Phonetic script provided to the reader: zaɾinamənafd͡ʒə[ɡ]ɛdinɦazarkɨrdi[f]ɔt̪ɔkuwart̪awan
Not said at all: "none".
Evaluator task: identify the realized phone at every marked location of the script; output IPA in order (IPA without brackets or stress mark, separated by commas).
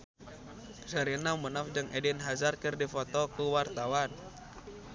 ŋ, f